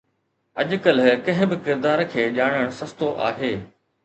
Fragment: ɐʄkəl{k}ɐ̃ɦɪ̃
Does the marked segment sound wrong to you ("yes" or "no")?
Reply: no